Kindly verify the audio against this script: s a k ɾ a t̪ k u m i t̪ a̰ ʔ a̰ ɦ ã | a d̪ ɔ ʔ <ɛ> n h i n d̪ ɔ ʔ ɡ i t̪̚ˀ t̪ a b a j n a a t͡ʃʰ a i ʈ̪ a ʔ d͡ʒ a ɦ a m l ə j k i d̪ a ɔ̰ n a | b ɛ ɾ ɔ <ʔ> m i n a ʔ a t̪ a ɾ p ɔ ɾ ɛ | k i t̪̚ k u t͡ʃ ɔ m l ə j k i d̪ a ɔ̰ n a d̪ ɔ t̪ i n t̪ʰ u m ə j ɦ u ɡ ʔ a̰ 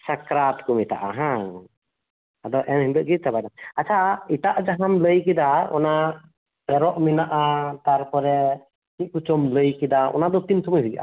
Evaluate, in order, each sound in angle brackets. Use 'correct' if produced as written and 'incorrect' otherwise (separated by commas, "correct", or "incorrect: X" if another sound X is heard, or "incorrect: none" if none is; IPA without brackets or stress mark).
correct, correct